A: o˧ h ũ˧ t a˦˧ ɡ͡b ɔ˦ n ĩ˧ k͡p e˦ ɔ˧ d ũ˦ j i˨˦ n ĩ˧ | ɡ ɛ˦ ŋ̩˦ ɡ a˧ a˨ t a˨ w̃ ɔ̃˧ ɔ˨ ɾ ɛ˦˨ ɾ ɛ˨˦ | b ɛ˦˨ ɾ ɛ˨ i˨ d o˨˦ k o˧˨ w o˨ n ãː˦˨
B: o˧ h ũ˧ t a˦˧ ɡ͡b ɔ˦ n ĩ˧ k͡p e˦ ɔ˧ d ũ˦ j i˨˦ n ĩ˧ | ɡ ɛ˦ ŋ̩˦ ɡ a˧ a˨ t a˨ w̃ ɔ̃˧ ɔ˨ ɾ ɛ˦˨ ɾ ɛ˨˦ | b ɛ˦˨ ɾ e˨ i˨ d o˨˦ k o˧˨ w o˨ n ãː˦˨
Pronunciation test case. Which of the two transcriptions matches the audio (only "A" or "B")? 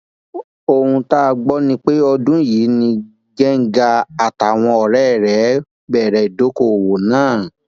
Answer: A